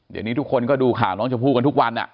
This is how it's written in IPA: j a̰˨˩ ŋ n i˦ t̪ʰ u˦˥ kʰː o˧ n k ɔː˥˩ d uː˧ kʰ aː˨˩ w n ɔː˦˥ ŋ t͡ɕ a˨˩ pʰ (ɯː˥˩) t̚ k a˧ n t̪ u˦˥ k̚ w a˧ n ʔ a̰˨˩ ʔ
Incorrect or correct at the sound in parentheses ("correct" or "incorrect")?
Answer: incorrect